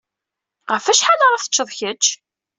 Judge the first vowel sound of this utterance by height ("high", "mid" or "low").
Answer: mid